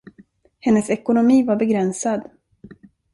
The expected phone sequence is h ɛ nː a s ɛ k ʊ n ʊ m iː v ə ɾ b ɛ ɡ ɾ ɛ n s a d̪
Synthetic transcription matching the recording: h ɛ nː ə s ɛ k ʊ n ʊ m iː v a ɾ b ɛ ɡ ɾ ɛ n s a d̪